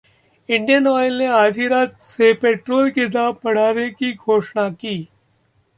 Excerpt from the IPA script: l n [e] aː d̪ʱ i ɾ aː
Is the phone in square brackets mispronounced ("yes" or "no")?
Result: no